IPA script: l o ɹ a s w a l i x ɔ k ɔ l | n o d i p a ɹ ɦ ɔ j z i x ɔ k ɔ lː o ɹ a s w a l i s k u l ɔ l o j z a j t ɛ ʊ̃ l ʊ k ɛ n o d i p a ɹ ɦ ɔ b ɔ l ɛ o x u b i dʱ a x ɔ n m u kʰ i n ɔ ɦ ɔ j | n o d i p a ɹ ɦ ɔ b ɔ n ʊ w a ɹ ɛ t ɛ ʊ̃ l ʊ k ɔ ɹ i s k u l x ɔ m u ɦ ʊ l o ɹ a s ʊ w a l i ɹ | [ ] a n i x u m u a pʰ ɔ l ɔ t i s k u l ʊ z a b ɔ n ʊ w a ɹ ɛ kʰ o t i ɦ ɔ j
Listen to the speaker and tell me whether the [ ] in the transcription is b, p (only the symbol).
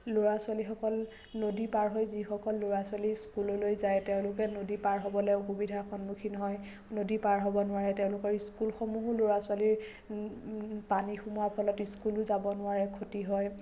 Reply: p